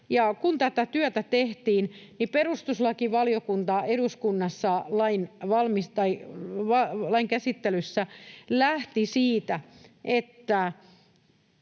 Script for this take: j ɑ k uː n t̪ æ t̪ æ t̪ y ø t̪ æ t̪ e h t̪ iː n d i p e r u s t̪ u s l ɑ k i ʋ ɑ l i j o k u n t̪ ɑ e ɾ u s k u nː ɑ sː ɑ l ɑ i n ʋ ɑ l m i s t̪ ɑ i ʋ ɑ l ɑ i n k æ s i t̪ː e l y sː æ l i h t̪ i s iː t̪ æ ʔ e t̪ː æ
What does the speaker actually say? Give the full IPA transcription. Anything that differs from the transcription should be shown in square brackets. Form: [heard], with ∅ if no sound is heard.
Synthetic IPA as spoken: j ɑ k [u] n t̪ æ t̪ æ t̪ y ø t̪ æ t̪ e h t̪ iː n [n] i p e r u s t̪ u s l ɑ k i ʋ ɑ l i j o k u n t̪ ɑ e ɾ u s k u nː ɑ sː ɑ l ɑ i n ʋ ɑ l m i s t̪ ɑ i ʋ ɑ l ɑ i [ŋ] k æ s i t̪ː e l y sː æ l [æ] h t̪ i s iː t̪ æ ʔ e t̪ː æ